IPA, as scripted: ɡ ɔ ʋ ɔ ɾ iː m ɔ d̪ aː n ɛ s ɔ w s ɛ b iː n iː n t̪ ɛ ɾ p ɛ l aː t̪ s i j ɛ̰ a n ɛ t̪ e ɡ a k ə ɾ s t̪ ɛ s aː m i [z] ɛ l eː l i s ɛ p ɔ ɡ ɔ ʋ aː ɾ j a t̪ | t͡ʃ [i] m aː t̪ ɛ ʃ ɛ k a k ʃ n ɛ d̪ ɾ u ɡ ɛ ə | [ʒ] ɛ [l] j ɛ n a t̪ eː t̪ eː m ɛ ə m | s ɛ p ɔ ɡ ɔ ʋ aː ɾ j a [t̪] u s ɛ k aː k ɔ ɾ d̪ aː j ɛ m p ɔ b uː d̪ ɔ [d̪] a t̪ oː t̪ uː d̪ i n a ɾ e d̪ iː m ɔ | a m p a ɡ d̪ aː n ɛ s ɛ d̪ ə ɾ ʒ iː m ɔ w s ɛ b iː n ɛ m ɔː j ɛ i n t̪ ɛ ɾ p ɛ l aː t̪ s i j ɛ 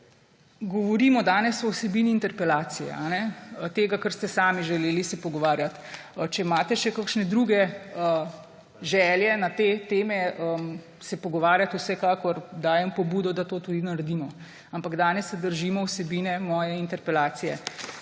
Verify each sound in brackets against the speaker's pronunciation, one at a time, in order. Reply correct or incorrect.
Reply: incorrect: ʒ, incorrect: ɛ, correct, correct, correct, correct

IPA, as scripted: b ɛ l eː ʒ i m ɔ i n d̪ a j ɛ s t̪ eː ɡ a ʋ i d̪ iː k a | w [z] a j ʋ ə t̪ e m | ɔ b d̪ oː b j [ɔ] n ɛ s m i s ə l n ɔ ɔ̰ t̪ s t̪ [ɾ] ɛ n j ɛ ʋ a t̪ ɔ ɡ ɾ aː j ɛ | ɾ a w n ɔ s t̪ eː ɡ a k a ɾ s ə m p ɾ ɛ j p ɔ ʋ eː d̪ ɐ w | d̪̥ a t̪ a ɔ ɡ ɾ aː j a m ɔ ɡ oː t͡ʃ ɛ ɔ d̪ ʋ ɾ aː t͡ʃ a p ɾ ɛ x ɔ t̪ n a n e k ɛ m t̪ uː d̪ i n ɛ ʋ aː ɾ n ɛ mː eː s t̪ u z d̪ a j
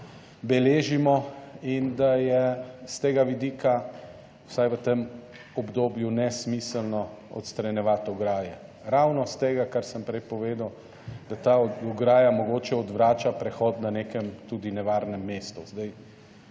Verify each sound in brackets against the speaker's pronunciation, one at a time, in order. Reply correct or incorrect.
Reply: incorrect: s, incorrect: u, correct

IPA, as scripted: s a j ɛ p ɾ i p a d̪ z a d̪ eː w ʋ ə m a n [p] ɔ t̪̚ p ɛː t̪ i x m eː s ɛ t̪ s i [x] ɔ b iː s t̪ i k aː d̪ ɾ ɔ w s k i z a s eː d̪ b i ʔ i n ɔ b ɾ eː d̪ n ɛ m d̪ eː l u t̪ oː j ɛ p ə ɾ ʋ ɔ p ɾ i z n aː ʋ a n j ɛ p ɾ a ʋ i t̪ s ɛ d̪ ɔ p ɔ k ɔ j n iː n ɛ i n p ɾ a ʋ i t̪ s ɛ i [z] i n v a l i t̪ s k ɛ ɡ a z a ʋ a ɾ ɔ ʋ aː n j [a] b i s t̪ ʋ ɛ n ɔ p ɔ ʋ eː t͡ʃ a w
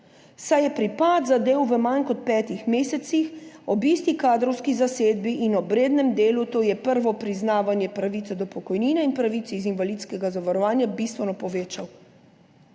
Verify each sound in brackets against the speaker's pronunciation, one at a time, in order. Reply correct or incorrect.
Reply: incorrect: k, correct, correct, correct

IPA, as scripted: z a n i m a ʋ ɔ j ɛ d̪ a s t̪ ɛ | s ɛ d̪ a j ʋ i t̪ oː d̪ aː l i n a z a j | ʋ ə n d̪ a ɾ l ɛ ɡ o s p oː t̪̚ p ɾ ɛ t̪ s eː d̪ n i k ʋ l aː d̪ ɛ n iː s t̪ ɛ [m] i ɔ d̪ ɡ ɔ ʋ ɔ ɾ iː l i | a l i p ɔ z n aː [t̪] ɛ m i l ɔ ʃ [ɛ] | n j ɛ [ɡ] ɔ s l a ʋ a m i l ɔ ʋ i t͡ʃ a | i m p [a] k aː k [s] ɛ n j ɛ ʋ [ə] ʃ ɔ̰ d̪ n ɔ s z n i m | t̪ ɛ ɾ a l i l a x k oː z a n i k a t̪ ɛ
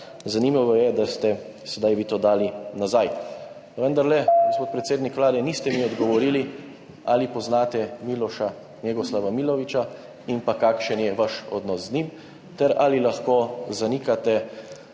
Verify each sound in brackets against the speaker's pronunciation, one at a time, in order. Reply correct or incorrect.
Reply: correct, correct, incorrect: a, correct, correct, incorrect: ʃ, incorrect: a

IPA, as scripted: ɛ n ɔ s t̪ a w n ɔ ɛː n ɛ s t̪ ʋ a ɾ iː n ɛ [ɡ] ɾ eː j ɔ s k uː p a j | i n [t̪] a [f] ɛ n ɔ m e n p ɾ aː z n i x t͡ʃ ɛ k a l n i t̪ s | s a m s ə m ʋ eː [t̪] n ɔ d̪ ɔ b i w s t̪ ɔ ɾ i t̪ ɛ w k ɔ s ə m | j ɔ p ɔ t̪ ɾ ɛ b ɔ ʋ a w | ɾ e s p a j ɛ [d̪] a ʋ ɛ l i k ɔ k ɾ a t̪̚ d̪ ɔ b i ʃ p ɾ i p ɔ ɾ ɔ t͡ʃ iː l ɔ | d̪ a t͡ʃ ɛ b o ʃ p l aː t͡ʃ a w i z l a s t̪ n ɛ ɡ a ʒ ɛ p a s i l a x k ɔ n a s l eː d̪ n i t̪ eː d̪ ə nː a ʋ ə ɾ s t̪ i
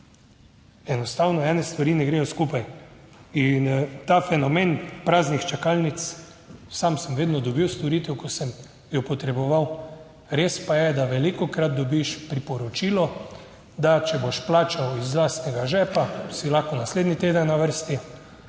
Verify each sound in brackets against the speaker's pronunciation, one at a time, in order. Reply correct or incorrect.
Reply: correct, correct, correct, incorrect: d̪, correct

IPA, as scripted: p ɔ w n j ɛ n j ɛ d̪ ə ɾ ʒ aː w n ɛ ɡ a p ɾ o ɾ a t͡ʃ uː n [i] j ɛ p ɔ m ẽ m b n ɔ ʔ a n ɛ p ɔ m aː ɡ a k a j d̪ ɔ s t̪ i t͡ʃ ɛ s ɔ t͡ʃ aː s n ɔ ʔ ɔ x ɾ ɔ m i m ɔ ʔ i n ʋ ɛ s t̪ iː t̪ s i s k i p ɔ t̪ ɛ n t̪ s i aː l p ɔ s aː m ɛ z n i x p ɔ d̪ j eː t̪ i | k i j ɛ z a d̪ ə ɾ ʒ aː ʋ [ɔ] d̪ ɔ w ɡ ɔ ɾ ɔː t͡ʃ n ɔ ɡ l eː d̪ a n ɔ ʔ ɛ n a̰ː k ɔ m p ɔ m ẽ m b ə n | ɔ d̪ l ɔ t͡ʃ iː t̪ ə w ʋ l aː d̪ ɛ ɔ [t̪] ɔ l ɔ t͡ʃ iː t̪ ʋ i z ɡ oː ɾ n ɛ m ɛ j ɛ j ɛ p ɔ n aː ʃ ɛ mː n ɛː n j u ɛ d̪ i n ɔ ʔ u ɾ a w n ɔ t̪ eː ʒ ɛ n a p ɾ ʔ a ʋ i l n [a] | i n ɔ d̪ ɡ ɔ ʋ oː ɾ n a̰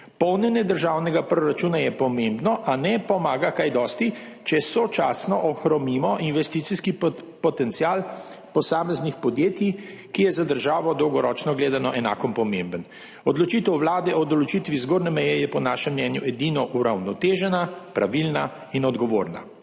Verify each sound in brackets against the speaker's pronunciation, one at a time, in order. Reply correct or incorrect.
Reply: incorrect: a, correct, incorrect: d̪, correct

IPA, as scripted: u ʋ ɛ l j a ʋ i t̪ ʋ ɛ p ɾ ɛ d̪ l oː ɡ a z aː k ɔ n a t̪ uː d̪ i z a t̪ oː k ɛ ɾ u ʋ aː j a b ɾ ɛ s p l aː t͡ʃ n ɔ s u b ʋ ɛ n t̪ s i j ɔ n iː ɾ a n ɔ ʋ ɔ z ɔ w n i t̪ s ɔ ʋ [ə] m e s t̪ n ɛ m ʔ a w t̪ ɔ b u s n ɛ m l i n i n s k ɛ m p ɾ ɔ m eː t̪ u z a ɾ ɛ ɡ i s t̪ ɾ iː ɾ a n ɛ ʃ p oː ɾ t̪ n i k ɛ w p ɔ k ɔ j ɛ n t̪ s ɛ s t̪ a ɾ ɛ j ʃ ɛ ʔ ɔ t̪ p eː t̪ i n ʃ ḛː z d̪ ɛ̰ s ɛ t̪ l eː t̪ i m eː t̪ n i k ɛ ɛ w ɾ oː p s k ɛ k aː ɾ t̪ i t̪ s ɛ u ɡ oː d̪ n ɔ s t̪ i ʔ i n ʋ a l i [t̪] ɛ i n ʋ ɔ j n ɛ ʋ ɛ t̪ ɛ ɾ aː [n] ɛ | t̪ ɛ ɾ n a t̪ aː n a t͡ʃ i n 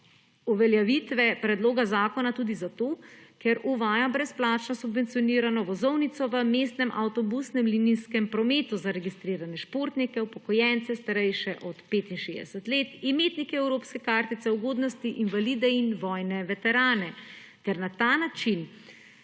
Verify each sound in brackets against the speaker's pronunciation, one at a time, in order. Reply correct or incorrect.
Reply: correct, incorrect: d̪, correct

